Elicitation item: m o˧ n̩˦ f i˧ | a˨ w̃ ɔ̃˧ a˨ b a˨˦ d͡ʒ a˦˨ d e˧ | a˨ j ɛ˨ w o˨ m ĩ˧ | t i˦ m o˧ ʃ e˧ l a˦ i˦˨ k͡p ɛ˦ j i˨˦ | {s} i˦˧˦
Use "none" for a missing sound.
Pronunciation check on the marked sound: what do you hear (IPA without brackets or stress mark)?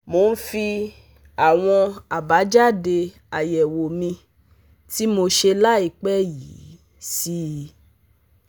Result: s